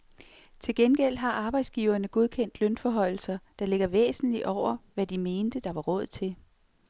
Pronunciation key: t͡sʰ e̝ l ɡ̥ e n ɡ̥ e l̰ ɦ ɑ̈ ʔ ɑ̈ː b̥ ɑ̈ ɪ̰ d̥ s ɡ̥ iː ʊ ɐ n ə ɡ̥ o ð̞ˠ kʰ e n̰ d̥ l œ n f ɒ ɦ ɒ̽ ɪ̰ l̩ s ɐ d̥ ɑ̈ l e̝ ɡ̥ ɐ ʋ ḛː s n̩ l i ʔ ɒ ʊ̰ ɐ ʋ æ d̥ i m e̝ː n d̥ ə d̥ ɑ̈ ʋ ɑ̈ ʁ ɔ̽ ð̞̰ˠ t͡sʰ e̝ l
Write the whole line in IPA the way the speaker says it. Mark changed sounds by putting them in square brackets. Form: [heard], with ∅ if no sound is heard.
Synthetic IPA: t͡sʰ e̝ l ɡ̥ e n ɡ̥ e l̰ ɦ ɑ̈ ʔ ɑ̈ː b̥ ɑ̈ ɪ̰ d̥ s ɡ̥ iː ʊ ɐ n ə ɡ̥ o ð̞ˠ kʰ e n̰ d̥ l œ n f ɒ ɦ ɒ̽ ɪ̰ l̩ s ɐ d̥ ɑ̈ l e̝ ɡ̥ ɐ ʋ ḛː s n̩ l i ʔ ɒ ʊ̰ ɐ ʋ æ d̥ i m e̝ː n d̥ ə d̥ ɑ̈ ʋ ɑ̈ ʁ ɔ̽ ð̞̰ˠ t͡sʰ e̝ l